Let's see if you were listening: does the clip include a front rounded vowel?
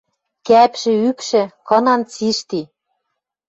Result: yes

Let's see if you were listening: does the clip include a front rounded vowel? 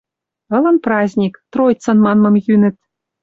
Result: yes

